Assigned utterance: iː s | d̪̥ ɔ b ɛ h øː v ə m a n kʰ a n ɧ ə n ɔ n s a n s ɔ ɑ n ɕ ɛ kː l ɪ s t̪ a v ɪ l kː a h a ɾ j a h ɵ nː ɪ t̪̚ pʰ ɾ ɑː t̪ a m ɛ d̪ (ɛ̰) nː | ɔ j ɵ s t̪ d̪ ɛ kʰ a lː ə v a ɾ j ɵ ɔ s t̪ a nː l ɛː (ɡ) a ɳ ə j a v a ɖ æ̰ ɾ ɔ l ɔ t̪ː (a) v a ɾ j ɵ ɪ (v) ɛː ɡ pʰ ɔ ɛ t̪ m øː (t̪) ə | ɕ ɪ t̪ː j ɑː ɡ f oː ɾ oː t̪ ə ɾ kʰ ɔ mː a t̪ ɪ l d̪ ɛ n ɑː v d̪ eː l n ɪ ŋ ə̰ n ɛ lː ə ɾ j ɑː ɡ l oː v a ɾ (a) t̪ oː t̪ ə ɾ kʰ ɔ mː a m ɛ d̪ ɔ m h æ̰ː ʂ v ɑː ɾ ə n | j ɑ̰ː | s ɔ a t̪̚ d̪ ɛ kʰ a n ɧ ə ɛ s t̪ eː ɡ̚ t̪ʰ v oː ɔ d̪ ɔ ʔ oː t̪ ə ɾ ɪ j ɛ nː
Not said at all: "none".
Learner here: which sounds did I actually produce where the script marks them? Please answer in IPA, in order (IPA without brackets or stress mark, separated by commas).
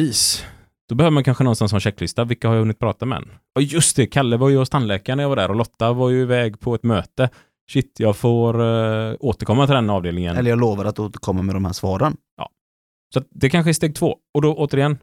ɛ̰, k, a, v, t̪, a